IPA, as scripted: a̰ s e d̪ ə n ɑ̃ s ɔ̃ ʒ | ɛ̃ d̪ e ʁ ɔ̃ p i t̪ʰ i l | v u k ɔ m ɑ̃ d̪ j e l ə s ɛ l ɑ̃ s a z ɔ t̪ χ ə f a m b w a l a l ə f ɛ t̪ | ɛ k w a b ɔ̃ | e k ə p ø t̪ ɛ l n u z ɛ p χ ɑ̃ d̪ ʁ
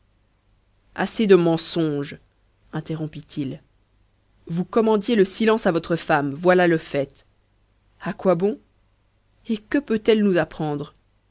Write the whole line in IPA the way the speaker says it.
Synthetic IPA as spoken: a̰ s e d̪ ə m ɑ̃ s ɔ̃ ʒ | ɛ̃ t̪ e ʁ ɔ̃ p i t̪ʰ i l | v u k ɔ m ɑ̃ d̪ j e l ə s i l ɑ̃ s a v ɔ t̪ χ ə f a m v w a l a l ə f ɛ t̪ | a k w a b ɔ̃ | e k ə p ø t̪ ɛ l n u z a p χ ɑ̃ d̪ ʁ

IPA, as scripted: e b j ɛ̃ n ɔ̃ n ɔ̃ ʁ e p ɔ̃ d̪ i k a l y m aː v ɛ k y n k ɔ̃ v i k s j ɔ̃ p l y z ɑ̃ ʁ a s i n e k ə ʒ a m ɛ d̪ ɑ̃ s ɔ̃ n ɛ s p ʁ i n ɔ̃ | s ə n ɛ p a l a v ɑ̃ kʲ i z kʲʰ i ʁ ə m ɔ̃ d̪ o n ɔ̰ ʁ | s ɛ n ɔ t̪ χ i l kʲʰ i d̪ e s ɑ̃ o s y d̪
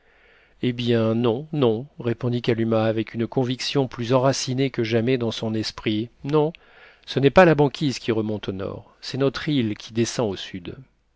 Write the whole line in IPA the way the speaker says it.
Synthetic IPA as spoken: e b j ɛ̃ n ɔ̃ n ɔ̃ ʁ e p ɔ̃ d̪ i k a l y m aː v ɛ k y n k ɔ̃ v i k s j ɔ̃ p l y z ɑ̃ ʁ a s i n e k ə ʒ a m ɛ d̪ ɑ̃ s ɔ̃ n ɛ s p χ i n ɔ̃ | s ə n ɛ p a l a b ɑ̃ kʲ i z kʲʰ i ʁ ə m ɔ̃ t̪ o n ɔ̰ ʁ | s ɛ n ɔ t̪ χ i l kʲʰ i d̪ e s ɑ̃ o s y d̪

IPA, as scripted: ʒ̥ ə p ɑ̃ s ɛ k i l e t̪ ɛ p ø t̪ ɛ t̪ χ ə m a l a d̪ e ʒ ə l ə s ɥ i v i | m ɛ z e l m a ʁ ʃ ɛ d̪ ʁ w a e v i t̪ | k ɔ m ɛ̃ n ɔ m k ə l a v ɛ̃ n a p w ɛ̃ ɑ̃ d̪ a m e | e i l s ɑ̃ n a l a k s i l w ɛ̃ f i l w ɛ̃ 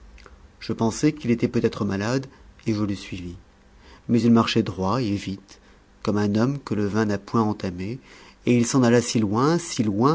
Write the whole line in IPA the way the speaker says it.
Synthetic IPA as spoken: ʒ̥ ə p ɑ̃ s ɛ k i l e t̪ ɛ p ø t̪ ɛ t̪ χ ə m a l a d̪ e ʒ ə l ə s ɥ i v i | m ɛ z i l m a ʁ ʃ ɛ d̪ ʁ w a e v i t̪ | k ɔ m ɛ̃ n ɔ m k ə l ə v ɛ̃ n a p w ɛ̃ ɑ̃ t̪ a m e | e i l s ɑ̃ n a l a s i l w ɛ̃ s i l w ɛ̃

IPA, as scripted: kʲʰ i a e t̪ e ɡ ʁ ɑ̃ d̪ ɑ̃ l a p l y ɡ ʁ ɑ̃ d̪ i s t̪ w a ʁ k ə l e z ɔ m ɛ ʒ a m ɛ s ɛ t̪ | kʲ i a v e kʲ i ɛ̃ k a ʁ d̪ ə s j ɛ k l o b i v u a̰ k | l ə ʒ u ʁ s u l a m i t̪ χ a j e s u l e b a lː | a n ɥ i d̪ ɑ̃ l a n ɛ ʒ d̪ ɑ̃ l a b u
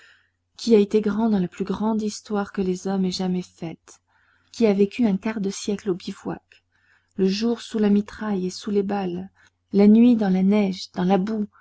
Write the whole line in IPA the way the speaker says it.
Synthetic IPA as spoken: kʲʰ i a e t̪ e ɡ ʁ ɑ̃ d̪ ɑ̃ l a p l y ɡ ʁ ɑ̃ d̪ i s t̪ w a ʁ k ə l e z ɔ m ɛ ʒ a m ɛ f ɛ t̪ | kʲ i a v e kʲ y ɛ̃ k a ʁ d̪ ə s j ɛ k l o b i v w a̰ k | l ə ʒ u ʁ s u l a m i t̪ χ a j e s u l e b a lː | a n ɥ i d̪ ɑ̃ l a n ɛ ʒ d̪ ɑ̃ l a b u

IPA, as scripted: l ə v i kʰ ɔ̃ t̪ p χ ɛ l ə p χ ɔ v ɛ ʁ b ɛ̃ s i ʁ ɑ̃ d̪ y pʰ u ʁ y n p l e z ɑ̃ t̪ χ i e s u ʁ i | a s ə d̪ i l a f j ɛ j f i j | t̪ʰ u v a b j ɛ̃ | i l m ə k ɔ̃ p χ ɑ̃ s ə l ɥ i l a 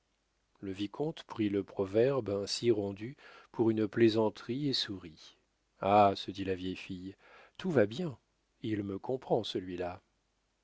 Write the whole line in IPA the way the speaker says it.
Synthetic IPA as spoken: l ə v i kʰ ɔ̃ t̪ p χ i l ə p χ ɔ v ɛ ʁ b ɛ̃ s i ʁ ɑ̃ d̪ y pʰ u ʁ y n p l e z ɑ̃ t̪ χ i e s u ʁ i | a s ə d̪ i l a v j ɛ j f i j | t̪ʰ u v a b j ɛ̃ | i l m ə k ɔ̃ p χ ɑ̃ s ə l ɥ i l a

